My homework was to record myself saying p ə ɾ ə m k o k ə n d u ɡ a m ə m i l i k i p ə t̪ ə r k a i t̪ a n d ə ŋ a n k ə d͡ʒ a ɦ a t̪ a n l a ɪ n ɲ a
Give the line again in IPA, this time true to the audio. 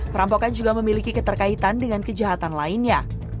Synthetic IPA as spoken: p ə ɾ a m p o k a n d͡ʒ u ɡ a m ə m i l i k i k ə t̪ ə r k a i t̪ a n d ə ŋ a n k ə d͡ʒ a ɦ a t̪ a n l a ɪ n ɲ a